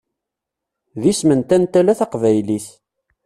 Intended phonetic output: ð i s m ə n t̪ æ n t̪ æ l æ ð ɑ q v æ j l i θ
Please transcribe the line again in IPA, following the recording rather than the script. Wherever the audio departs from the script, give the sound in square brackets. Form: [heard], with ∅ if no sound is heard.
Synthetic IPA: ð i s m ə n t̪ æ n t̪ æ l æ [θ] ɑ q v æ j l i θ